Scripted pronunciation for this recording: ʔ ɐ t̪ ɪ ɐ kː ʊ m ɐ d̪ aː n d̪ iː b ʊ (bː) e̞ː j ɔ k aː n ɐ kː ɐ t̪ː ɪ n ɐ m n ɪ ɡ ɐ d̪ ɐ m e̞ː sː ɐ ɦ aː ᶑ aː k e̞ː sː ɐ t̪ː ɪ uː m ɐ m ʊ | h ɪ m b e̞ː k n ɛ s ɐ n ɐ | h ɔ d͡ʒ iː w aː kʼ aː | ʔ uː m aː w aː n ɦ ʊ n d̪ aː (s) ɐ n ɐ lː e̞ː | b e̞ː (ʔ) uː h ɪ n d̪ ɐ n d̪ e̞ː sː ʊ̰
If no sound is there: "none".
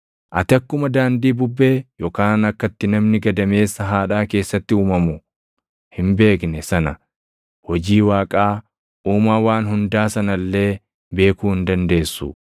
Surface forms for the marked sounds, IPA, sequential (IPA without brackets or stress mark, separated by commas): bː, s, k